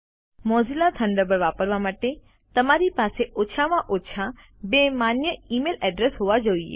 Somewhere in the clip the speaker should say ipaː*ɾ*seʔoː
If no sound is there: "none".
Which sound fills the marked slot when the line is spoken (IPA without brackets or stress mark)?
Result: none